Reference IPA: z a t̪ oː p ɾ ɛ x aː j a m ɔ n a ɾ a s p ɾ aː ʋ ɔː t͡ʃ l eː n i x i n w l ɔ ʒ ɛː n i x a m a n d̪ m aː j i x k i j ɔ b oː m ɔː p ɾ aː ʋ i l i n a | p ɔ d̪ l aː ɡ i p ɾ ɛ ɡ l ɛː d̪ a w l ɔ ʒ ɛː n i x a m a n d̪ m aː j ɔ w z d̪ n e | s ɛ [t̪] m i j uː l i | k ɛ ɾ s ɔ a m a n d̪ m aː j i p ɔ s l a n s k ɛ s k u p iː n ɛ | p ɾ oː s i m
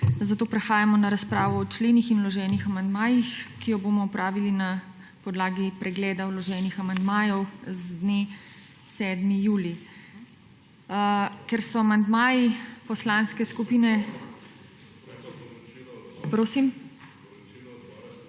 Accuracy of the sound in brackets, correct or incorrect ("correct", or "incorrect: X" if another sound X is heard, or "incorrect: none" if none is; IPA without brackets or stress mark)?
incorrect: d̪